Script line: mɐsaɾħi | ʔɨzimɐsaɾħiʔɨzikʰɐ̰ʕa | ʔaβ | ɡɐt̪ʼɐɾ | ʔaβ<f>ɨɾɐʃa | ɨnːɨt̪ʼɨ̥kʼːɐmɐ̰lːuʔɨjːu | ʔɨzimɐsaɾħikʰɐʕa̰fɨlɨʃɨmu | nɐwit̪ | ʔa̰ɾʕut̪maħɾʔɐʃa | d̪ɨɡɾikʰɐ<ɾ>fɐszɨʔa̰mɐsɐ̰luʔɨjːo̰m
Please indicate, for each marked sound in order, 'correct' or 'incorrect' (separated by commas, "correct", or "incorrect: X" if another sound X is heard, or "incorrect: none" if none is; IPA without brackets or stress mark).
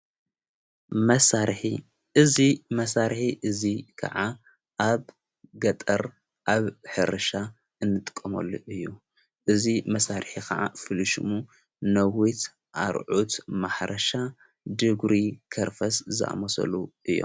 incorrect: ħ, correct